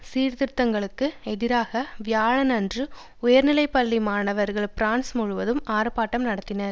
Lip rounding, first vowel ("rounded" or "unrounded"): unrounded